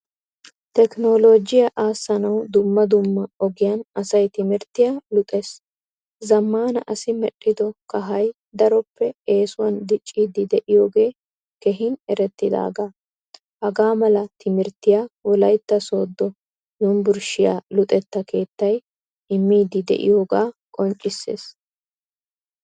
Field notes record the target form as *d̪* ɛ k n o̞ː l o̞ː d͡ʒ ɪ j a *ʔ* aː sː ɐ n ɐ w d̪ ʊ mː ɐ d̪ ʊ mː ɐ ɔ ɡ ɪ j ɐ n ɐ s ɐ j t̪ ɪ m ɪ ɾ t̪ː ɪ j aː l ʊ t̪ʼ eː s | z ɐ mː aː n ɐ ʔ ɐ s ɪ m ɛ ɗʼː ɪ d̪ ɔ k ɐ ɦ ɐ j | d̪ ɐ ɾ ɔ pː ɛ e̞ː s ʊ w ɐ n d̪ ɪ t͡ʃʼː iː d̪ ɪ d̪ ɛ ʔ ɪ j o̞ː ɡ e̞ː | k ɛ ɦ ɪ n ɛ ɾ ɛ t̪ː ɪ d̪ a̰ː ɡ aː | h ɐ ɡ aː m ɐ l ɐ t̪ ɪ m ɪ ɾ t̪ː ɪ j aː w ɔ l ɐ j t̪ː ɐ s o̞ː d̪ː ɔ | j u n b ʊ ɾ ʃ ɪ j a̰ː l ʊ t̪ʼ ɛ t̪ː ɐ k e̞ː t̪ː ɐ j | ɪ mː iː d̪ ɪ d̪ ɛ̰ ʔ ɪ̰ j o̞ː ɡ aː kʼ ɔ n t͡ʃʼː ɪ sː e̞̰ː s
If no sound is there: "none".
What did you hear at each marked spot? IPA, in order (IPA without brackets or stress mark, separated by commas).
t̪, ʔ